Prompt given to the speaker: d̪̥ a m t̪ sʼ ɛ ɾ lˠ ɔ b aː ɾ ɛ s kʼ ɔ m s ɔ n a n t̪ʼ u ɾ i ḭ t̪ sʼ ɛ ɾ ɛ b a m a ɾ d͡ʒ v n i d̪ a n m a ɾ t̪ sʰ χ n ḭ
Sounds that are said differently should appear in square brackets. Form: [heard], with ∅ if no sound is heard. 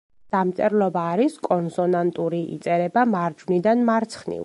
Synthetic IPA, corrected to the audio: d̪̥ a m t̪ sʼ ɛ ɾ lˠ ɔ b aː ɾ [i] s kʼ ɔ [n] s ɔ n a n t̪ʼ u ɾ i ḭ t̪ sʼ ɛ ɾ ɛ b a m a ɾ d͡ʒ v n i d̪ a n m a ɾ t̪ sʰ χ n ḭ